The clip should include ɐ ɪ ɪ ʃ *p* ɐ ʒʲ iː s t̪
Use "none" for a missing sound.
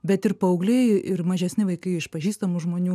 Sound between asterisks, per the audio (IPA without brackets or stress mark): p